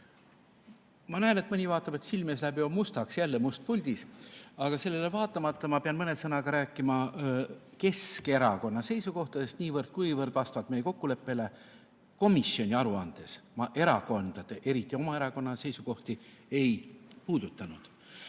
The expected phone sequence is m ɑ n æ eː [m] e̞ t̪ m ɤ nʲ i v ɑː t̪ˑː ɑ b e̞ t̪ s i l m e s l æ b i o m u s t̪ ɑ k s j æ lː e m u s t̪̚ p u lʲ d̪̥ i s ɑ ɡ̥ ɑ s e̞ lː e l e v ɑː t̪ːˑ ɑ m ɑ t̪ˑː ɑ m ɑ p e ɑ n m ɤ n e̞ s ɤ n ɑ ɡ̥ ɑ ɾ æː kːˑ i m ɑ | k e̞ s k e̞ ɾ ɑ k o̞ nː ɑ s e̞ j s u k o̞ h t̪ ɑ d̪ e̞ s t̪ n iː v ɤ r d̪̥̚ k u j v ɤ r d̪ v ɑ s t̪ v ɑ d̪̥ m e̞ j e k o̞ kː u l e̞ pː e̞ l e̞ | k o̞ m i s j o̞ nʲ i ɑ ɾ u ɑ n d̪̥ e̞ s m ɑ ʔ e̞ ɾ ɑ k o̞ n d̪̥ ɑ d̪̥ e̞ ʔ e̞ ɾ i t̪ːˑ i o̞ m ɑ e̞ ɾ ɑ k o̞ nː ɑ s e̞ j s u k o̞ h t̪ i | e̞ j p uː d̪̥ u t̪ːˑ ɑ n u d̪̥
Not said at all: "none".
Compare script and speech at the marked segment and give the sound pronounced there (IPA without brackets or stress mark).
n